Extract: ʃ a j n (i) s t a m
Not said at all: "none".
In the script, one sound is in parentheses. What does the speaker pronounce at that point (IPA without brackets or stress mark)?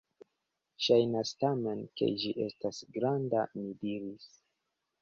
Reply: a